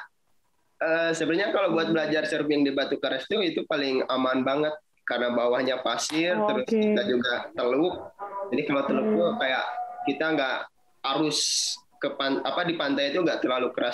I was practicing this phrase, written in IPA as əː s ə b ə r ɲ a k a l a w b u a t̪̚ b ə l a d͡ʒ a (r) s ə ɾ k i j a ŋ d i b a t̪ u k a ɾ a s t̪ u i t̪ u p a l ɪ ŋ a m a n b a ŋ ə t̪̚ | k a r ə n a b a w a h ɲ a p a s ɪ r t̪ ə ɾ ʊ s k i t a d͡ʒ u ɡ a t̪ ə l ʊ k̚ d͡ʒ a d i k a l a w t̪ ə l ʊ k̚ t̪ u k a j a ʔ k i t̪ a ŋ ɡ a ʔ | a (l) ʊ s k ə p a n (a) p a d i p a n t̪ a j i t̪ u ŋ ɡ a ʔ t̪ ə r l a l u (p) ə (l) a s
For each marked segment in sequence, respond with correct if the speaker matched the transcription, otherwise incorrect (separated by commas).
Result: correct, incorrect, correct, incorrect, incorrect